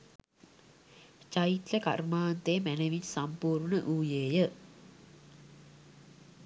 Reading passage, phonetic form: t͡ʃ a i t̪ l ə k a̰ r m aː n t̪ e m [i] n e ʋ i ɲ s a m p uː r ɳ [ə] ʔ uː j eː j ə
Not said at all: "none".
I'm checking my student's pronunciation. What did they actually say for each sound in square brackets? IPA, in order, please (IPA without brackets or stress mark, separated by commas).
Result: æ, ə